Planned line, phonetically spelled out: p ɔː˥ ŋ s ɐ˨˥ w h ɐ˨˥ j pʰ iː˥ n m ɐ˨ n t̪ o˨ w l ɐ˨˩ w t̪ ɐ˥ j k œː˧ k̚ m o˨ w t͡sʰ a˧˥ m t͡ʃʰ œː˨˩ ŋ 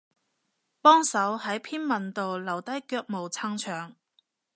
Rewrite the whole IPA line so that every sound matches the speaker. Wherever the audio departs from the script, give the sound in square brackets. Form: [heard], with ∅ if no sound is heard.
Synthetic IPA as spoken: p ɔː˥ ŋ s ɐ˨˥ w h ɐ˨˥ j pʰ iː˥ n m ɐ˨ n t̪ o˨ w l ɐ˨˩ w t̪ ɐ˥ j k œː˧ k̚ m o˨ w t͡sʰ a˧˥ [ŋ] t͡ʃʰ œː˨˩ ŋ

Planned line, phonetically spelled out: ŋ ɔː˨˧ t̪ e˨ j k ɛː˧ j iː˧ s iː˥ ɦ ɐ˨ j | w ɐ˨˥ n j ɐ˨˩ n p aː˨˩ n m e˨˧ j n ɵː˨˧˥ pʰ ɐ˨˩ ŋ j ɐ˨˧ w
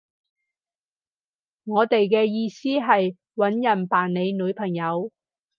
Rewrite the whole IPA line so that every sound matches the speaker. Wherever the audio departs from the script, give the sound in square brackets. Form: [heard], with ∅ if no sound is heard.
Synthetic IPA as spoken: ŋ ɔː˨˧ t̪ e˨ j k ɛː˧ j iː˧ s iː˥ ɦ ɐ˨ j | w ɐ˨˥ n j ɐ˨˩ n p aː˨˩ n [n] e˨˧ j n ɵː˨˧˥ pʰ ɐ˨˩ ŋ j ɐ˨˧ w

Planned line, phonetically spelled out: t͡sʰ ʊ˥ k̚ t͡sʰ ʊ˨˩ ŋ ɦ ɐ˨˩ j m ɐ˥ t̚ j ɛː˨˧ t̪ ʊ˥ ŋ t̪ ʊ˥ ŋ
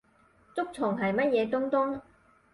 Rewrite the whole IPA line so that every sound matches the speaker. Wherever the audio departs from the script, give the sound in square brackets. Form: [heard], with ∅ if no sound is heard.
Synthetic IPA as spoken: [t͡s] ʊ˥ k̚ t͡sʰ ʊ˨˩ ŋ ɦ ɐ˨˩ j m ɐ˥ t̚ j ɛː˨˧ t̪ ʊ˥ ŋ t̪ ʊ˥ ŋ

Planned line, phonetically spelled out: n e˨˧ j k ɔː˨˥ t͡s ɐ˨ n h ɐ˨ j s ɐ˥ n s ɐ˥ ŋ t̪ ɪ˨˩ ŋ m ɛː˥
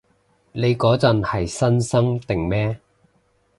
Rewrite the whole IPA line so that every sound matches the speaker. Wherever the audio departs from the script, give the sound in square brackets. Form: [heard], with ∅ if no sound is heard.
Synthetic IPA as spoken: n e˨˧ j k ɔː˨˥ t͡s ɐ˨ n h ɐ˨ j s ɐ˥ n s ɐ˥ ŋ t̪ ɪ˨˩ ŋ m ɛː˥

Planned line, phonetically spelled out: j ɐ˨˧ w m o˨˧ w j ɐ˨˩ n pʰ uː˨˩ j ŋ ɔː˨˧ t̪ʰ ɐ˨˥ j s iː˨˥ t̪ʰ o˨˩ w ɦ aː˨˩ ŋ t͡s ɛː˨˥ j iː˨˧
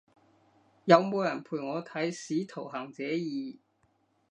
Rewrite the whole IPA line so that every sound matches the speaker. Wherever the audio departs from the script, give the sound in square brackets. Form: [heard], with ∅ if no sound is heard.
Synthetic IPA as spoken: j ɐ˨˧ w m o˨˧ w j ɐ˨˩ n pʰ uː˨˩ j ŋ ɔː˨˧ t̪ʰ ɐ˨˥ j s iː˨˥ t̪ʰ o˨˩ w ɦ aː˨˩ ŋ t͡s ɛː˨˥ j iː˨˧

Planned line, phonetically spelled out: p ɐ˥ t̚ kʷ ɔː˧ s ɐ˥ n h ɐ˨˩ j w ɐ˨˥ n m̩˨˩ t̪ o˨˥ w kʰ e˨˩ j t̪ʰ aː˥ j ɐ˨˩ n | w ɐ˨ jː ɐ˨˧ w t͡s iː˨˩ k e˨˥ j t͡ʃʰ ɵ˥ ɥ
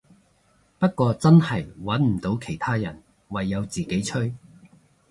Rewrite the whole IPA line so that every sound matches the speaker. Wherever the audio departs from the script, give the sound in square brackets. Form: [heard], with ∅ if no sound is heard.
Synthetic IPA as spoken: p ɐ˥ t̚ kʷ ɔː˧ [t͡s] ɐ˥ n h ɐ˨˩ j w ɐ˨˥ n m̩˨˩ t̪ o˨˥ w kʰ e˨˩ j t̪ʰ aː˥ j ɐ˨˩ n | w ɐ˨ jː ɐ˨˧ w t͡s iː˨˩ k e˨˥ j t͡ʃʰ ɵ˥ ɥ

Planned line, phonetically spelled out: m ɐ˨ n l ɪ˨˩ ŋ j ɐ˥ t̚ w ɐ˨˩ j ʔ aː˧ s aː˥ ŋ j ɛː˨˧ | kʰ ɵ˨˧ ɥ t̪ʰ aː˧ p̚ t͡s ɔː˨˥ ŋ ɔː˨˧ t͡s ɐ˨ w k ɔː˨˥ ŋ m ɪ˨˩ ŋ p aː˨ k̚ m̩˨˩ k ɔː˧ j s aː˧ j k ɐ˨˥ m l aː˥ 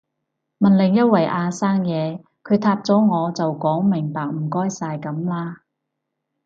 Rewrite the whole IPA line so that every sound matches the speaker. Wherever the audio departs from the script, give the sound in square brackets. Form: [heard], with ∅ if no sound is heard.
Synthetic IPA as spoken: m ɐ˨ n l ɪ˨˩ ŋ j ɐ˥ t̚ w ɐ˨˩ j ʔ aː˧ s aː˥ ŋ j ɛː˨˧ | kʰ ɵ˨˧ ɥ t̪ʰ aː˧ p̚ t͡s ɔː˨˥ ŋ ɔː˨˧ t͡s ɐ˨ w k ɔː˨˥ ŋ m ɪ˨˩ ŋ p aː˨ k̚ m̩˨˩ k [ɔː˥] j s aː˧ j k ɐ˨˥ m l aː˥

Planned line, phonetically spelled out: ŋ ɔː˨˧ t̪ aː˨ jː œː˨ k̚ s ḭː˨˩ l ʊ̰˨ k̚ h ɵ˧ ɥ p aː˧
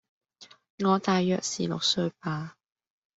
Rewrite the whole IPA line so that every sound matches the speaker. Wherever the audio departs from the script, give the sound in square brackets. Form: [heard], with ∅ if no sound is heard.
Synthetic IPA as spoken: ŋ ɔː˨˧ t̪ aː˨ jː œː˨ k̚ s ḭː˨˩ l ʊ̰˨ k̚ [s] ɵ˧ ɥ p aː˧

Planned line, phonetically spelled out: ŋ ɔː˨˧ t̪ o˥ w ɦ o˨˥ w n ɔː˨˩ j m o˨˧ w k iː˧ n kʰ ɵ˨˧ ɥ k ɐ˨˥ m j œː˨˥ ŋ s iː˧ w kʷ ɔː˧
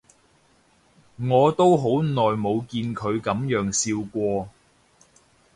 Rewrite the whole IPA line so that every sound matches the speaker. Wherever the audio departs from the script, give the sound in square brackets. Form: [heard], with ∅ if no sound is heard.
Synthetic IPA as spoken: ŋ ɔː˨˧ t̪ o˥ w ɦ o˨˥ w n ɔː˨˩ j m o˨˧ w k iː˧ n kʰ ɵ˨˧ ɥ k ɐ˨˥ m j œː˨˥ ŋ s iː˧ w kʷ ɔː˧

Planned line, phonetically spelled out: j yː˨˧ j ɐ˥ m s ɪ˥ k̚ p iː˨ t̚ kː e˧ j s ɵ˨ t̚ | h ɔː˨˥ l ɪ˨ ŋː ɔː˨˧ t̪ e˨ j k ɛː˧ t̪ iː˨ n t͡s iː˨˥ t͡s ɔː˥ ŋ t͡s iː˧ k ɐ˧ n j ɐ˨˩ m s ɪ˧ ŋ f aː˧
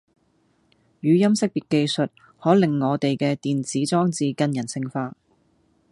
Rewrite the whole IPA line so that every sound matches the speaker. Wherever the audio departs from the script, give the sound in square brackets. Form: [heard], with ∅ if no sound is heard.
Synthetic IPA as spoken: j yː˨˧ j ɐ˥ m s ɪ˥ k̚ p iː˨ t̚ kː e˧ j s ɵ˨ t̚ | h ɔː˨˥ l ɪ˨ ŋː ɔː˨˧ t̪ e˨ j k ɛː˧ t̪ iː˨ n t͡s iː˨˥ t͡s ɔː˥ ŋ t͡s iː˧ k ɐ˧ n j ɐ˨˩ [n] s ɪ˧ ŋ f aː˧

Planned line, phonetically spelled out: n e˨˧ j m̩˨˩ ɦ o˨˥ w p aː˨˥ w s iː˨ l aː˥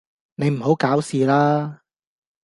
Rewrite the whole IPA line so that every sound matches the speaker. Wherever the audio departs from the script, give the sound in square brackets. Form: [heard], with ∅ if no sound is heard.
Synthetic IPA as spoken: n e˨˧ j m̩˨˩ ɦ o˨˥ w [k] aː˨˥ w s iː˨ l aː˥

